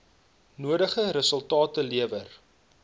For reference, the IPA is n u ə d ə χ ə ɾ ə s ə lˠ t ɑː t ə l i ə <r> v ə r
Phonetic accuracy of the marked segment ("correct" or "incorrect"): incorrect